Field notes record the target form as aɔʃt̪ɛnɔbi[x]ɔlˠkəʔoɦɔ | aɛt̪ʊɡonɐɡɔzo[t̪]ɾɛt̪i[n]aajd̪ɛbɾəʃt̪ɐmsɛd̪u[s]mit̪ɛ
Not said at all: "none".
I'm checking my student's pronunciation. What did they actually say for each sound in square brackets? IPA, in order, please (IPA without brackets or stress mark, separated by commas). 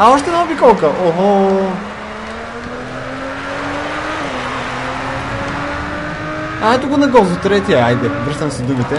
k, t̪, none, none